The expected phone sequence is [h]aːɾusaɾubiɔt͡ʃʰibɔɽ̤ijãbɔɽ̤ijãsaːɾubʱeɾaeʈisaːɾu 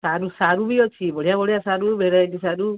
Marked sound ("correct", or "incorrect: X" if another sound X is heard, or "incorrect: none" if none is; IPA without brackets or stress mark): incorrect: s